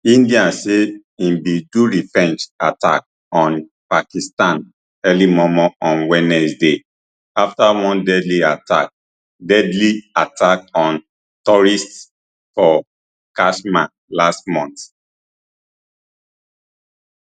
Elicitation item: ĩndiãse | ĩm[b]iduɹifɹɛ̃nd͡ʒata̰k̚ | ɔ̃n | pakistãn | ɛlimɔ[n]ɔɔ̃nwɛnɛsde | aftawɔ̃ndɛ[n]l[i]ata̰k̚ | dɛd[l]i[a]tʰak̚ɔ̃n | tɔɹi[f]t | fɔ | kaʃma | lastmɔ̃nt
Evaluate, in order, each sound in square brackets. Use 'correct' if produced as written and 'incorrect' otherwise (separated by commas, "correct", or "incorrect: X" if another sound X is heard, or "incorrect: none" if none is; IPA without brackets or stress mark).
correct, incorrect: m, incorrect: d, correct, correct, correct, incorrect: s